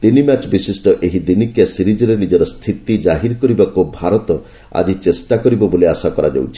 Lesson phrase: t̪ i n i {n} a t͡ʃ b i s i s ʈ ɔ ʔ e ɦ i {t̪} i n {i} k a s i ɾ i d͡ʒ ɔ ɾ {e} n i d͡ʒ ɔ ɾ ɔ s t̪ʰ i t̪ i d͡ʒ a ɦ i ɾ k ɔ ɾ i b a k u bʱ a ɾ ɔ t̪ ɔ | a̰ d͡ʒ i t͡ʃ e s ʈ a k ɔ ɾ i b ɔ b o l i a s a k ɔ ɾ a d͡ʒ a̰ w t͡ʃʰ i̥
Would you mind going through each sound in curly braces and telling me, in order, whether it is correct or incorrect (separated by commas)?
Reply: incorrect, incorrect, correct, correct